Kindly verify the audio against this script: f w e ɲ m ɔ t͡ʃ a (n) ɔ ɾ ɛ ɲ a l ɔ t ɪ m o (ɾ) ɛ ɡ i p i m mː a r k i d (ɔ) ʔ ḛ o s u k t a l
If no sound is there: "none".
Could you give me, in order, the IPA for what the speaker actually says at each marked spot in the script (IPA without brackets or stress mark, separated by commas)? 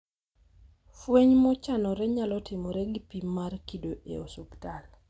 n, ɾ, o